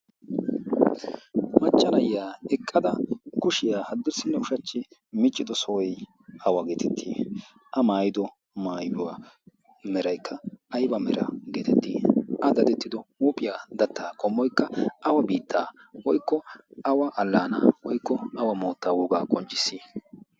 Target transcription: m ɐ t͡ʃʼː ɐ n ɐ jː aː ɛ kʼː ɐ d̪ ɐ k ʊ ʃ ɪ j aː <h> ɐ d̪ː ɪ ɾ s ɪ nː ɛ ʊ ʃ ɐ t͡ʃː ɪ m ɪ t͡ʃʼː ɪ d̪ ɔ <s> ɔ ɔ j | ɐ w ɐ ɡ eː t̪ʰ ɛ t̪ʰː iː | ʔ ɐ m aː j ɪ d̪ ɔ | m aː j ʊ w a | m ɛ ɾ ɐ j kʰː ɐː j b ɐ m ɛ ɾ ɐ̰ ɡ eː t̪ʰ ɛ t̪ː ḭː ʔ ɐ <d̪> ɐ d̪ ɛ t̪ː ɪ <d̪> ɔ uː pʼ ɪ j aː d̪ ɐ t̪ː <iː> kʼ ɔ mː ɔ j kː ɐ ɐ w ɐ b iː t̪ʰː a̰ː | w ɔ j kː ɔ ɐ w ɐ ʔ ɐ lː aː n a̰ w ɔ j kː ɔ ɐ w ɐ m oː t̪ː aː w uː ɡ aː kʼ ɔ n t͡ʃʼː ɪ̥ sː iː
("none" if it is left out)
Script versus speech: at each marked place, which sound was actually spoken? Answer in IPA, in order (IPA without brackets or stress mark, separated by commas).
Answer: h, s, d̪, d̪, aː